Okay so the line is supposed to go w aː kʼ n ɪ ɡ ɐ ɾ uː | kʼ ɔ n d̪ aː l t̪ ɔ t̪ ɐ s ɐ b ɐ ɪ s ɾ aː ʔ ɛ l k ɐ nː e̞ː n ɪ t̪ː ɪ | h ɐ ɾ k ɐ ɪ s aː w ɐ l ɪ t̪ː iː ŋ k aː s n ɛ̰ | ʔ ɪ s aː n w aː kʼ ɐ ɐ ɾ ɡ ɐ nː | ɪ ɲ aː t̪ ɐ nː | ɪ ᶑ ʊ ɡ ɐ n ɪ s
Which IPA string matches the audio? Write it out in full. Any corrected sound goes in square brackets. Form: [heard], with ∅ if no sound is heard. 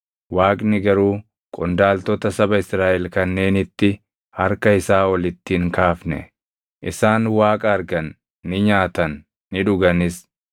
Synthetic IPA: w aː kʼ n ɪ ɡ ɐ ɾ uː | kʼ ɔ n d̪ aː l t̪ ɔ t̪ ɐ s ɐ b ɐ ɪ s ɾ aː ʔ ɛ l k ɐ nː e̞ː n ɪ t̪ː ɪ | h ɐ ɾ k ɐ ɪ s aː w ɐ l ɪ t̪ː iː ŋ k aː [f] n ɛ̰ | ʔ ɪ s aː n w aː kʼ ɐ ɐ ɾ ɡ ɐ nː | ɪ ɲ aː t̪ ɐ nː | ɪ ᶑ ʊ ɡ ɐ n ɪ s